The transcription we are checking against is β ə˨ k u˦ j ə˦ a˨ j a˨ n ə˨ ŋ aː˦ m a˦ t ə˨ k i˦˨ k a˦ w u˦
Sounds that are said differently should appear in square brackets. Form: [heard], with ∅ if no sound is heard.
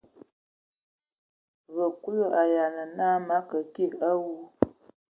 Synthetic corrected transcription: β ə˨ k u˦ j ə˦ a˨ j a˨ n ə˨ [n] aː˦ m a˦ [k] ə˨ k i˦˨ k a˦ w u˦